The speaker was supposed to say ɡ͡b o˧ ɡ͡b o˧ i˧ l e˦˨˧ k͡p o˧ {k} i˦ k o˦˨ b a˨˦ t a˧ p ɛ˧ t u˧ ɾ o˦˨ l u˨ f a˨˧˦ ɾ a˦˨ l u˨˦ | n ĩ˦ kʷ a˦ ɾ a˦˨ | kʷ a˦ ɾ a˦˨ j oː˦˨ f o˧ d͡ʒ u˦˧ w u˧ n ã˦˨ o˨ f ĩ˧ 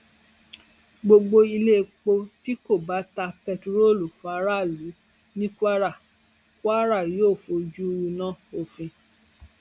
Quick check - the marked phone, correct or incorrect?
incorrect